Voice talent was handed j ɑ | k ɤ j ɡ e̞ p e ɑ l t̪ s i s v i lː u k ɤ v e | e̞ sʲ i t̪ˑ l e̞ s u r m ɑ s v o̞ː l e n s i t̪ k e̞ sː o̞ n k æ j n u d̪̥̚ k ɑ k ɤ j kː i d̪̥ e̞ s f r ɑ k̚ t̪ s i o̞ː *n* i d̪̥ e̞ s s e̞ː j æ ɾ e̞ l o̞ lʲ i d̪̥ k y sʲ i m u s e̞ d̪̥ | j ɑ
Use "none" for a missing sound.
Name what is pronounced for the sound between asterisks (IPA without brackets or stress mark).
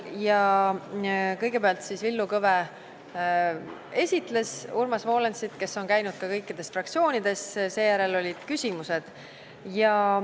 n